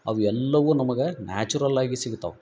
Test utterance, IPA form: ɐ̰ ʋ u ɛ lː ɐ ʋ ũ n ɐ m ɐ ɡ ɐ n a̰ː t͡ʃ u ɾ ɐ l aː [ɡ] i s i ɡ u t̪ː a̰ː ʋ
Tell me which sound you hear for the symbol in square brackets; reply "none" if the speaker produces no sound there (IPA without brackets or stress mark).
ɡ